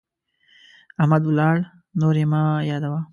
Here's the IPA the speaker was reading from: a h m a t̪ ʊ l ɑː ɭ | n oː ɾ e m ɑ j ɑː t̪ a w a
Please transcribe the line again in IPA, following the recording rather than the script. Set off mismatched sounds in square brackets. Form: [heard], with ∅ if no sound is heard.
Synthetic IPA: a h m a [d̪] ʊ l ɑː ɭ | n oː ɾ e m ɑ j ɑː [d̪] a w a